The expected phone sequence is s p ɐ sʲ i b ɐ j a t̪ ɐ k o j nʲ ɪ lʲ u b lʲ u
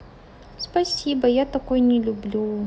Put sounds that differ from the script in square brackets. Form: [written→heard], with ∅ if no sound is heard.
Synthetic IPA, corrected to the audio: s p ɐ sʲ i b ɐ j a t̪ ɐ k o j nʲ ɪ lʲ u b lʲ u

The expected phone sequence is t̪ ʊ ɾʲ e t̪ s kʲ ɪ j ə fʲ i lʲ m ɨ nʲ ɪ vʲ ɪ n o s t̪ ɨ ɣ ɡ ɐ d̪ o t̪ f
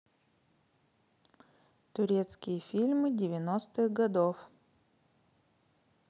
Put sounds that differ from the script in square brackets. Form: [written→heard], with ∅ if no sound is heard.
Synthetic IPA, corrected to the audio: t̪ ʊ ɾʲ e t̪ s kʲ ɪ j ə fʲ i lʲ m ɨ [nʲ→dʲ] ɪ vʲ ɪ n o s t̪ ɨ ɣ ɡ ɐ d̪ o [t̪→∅] f

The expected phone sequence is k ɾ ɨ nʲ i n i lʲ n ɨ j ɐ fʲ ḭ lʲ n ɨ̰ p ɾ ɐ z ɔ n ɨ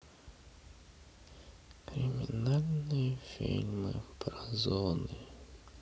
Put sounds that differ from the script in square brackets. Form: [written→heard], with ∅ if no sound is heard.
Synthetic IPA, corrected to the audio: k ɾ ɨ [nʲ→mʲ] i n [i→a] lʲ n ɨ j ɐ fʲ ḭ lʲ [n→m] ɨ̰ p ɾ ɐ z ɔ n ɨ

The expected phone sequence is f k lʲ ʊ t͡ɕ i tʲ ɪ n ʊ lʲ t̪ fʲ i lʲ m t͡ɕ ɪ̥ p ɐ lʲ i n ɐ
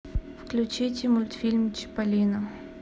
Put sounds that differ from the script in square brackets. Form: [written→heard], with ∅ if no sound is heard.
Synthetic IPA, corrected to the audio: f k lʲ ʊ t͡ɕ i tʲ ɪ [n→m] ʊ lʲ t̪ fʲ i lʲ m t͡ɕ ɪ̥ p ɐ lʲ i n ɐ

